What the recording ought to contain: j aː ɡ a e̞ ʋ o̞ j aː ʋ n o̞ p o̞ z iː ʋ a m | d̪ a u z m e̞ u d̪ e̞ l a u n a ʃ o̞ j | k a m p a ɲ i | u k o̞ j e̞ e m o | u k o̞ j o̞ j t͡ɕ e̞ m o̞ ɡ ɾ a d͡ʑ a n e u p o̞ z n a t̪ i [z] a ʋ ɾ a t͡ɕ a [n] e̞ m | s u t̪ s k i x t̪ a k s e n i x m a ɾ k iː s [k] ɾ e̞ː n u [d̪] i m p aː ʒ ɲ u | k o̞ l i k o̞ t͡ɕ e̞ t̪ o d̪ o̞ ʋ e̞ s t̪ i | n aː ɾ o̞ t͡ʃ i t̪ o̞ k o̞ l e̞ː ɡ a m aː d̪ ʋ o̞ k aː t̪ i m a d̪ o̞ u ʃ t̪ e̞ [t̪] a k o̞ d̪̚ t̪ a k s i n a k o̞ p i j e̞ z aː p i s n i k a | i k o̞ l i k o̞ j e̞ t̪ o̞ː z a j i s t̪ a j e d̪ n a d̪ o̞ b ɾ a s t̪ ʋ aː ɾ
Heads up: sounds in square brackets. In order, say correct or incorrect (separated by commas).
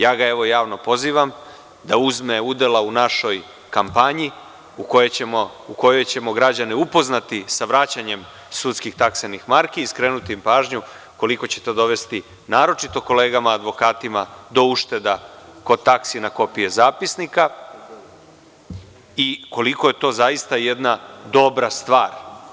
incorrect, incorrect, correct, incorrect, incorrect